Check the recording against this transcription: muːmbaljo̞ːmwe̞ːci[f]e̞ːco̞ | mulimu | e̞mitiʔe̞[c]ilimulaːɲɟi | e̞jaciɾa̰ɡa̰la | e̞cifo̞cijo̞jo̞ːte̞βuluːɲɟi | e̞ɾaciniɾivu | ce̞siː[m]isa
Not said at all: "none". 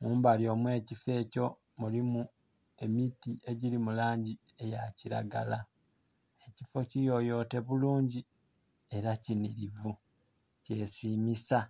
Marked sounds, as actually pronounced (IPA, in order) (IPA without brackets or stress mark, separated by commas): f, ɟ, m